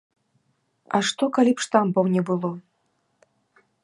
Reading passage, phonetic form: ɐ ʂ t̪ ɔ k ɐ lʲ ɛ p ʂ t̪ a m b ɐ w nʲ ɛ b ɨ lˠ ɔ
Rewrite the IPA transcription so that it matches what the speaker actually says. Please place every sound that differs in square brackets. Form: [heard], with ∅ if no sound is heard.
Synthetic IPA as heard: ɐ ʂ t̪ ɔ k [a] lʲ [i] p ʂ t̪ a m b ɐ w nʲ ɛ b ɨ lˠ ɔ